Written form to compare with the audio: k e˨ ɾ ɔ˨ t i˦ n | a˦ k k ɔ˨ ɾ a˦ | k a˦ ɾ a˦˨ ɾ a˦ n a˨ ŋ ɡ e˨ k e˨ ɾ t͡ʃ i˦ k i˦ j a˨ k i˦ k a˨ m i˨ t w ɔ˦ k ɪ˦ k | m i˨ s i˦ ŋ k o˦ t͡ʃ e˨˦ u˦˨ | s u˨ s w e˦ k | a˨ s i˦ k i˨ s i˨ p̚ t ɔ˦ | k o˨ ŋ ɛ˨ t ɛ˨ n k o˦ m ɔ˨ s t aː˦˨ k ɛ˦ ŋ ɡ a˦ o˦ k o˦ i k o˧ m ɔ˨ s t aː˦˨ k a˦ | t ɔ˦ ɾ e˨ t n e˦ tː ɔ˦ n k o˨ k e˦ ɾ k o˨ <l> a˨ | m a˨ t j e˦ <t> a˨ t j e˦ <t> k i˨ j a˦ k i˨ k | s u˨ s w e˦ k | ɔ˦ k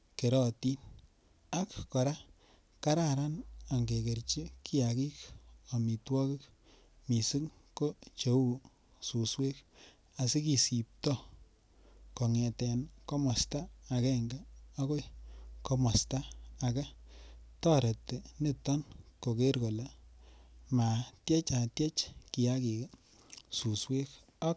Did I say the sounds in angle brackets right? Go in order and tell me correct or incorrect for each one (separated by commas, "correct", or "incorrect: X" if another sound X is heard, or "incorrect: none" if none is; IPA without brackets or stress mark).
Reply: correct, incorrect: t͡ʃ, incorrect: t͡ʃ